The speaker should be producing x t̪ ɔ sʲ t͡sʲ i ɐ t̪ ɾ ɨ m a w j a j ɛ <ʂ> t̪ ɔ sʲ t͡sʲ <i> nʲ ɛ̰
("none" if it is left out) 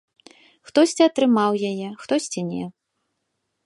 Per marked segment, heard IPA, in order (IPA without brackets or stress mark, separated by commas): x, i